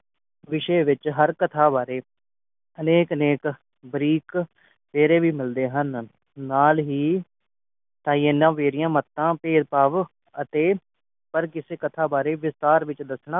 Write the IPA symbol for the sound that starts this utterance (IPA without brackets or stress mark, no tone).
ʋ